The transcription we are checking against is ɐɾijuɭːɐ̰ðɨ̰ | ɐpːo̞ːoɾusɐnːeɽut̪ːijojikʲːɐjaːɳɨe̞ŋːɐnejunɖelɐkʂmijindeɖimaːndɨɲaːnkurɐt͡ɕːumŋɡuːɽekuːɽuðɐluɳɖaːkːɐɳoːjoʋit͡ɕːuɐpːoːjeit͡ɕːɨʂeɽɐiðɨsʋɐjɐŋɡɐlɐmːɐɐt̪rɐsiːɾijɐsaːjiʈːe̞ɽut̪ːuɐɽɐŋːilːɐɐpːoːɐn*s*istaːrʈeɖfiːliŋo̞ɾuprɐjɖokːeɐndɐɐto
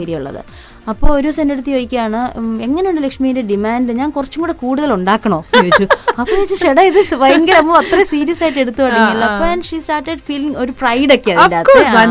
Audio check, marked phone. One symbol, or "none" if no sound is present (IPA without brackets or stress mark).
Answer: ʂ